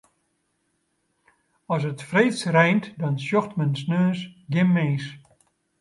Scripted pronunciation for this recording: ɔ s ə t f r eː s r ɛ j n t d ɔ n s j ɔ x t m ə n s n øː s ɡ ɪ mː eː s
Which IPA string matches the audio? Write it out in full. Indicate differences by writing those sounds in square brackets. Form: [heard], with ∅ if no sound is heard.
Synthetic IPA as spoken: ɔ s ə t f r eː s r ɛ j n t d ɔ n s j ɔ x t m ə n s n øː s ɡ ɪ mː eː s